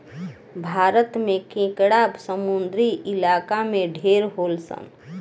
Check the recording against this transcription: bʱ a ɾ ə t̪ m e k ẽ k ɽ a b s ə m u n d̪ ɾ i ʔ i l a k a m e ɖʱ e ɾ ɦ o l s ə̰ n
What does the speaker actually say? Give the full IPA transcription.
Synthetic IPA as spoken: bʱ a ɾ ə t̪ m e k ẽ k ɽ a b s ə m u n d̪ ɾ i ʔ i l a k a m e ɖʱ e ɾ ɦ o l s ə̰ n